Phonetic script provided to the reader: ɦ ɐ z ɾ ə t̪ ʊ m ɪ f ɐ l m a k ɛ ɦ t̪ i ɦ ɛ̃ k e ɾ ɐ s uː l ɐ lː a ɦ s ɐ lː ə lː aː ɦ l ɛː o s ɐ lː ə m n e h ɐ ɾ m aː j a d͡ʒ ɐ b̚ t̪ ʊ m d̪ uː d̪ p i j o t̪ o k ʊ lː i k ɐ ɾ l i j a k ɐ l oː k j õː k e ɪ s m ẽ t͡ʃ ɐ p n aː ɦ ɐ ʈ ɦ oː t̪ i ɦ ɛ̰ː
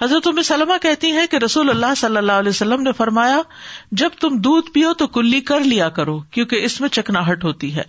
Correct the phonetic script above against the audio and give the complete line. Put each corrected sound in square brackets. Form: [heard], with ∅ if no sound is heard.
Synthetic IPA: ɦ ɐ z ɾ ə t̪ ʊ m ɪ [s] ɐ l m a k ɛ ɦ t̪ i ɦ ɛ̃ k e ɾ ɐ s uː l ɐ lː a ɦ s ɐ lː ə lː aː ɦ l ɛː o s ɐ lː ə m n e [f] ɐ ɾ m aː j a d͡ʒ ɐ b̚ t̪ ʊ m d̪ uː d̪ p i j o t̪ o k ʊ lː i k ɐ ɾ l i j a k ɐ [ɾ] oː k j õː k e ɪ s m ẽ t͡ʃ ɐ [k] n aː ɦ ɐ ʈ ɦ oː t̪ i ɦ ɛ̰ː